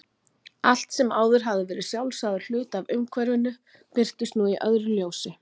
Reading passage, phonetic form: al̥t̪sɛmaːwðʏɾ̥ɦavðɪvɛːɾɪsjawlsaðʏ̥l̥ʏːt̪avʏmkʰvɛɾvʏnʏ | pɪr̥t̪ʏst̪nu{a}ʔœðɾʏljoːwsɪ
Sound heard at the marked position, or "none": i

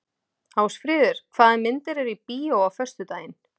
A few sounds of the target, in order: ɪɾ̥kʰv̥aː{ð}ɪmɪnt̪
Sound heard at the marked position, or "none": ð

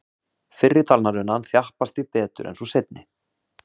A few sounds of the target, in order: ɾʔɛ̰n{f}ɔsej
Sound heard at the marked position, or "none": s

